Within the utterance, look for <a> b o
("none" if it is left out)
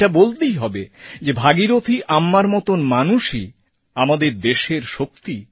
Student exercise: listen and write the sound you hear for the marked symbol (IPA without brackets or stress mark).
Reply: a